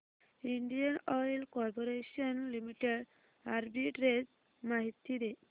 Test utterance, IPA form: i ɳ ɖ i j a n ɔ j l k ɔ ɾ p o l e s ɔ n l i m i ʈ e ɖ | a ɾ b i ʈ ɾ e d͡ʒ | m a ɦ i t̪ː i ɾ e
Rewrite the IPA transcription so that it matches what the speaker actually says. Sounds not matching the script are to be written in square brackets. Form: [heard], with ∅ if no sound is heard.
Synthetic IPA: i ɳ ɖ i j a n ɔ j l k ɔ ɾ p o [ɾ] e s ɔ n l i m i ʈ e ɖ | a ɾ b i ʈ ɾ e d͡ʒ | m a ɦ i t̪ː i ɾ e